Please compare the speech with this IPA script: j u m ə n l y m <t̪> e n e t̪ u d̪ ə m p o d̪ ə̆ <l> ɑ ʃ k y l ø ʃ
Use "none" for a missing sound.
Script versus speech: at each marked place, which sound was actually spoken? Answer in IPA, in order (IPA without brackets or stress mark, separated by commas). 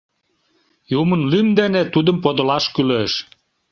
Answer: d̪, l